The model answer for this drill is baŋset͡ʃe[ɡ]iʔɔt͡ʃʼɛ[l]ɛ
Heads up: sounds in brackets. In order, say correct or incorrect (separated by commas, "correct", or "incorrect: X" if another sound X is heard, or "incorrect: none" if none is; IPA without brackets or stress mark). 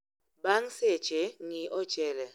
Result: incorrect: ŋ, correct